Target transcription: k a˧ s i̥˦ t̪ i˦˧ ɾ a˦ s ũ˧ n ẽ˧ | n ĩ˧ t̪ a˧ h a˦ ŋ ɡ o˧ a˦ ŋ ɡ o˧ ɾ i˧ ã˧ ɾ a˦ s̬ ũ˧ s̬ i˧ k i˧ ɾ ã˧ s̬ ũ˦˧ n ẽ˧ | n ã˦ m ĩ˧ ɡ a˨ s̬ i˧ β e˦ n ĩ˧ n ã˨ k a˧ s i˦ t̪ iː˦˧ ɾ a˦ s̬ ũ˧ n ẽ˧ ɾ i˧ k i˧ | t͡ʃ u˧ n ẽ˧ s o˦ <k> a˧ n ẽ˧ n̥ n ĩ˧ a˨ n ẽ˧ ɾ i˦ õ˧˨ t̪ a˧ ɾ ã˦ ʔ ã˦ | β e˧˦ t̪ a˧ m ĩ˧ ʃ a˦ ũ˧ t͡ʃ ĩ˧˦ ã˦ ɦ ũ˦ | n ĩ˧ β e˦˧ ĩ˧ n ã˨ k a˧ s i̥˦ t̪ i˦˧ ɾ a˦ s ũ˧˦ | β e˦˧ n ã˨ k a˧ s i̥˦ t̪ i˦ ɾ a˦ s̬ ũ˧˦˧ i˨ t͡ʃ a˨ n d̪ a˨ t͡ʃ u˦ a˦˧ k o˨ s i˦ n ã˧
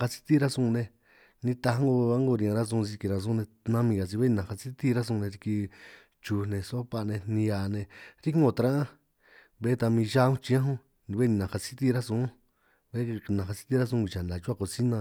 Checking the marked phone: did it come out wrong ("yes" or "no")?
yes